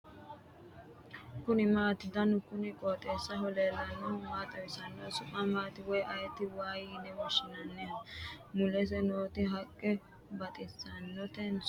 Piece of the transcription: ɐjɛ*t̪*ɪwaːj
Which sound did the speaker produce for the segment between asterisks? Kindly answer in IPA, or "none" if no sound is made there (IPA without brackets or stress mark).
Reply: t̪